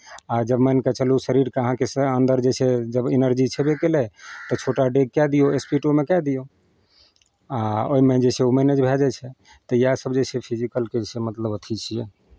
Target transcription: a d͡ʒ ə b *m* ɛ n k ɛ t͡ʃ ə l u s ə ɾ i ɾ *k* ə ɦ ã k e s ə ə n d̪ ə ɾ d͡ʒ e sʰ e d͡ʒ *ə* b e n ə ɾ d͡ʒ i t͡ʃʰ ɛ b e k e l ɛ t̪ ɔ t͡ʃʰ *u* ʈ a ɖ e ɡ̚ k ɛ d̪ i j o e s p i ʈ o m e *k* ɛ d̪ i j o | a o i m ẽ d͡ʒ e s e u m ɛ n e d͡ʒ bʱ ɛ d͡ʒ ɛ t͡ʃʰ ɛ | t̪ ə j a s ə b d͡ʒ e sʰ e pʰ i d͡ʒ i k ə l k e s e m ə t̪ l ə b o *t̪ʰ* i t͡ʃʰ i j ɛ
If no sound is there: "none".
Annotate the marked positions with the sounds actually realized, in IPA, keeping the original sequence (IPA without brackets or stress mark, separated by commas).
m, k, ə, o, k, t̪ʰ